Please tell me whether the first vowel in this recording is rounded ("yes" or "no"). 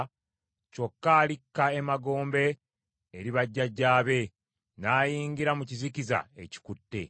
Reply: yes